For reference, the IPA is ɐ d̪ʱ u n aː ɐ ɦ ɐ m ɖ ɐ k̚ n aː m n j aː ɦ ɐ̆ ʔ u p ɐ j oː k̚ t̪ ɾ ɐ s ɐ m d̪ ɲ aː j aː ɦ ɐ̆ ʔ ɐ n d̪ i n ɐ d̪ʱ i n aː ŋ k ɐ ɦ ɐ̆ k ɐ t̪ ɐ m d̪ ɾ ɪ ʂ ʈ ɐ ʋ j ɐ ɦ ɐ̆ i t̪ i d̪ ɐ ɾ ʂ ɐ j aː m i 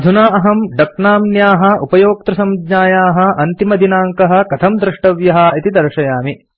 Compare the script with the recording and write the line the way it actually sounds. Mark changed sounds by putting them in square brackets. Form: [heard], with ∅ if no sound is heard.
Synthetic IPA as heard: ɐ d̪ʱ u n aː ɐ ɦ ɐ m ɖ ɐ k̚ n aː m n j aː ɦ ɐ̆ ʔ u p ɐ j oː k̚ t̪ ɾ ɐ s ɐ m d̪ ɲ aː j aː ɦ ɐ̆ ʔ ɐ n [t̪] i [m] ɐ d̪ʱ i n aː ŋ k ɐ ɦ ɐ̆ k ɐ [t̪ʰ] ɐ m d̪ ɾ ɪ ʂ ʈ ɐ ʋ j ɐ ɦ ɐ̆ i t̪ i d̪ ɐ ɾ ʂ ɐ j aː m i